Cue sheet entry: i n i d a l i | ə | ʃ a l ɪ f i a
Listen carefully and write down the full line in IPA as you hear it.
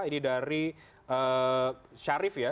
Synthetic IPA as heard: i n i d a ɾ i | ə | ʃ a ɾ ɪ f j a